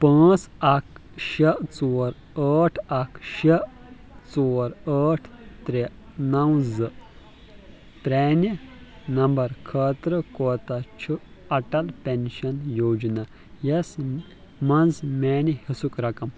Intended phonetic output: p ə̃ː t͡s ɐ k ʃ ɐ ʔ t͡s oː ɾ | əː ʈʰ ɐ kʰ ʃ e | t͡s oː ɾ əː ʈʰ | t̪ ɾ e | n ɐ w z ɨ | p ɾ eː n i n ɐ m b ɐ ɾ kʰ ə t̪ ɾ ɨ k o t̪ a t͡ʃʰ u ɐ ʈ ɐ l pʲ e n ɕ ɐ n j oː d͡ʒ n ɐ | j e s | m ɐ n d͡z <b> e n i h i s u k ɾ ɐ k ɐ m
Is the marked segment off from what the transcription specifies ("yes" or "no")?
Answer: yes